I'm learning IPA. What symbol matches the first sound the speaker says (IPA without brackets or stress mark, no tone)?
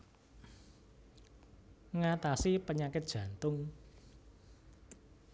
ŋ